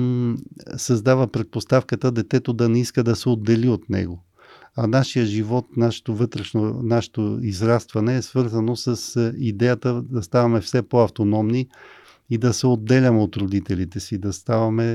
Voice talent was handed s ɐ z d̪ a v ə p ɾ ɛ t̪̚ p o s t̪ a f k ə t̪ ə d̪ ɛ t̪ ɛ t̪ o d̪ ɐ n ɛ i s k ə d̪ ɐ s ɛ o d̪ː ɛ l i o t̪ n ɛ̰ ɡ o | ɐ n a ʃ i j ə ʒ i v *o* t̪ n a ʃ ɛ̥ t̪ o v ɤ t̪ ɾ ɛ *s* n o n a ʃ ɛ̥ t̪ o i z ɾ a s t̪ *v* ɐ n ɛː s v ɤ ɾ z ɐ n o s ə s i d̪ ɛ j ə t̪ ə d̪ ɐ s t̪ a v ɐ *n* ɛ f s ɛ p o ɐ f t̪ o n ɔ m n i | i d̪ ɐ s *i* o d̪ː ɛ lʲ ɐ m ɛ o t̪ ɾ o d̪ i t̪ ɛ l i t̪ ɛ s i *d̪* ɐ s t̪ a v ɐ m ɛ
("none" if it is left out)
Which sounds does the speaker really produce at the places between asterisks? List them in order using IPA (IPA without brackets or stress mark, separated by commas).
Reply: ɔ, ʃ, v, m, ɛ, d̪